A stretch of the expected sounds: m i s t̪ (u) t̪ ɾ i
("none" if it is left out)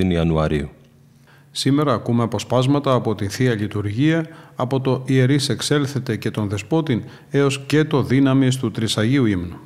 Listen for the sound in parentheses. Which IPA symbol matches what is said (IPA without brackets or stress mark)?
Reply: u